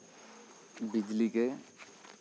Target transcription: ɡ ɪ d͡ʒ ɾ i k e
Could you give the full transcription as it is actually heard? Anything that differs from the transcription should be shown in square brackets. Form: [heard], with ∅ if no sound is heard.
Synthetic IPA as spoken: [b] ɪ d͡ʒ [l] i k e